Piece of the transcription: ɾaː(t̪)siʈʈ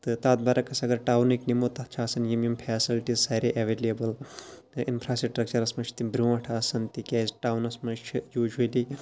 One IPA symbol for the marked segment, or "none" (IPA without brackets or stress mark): none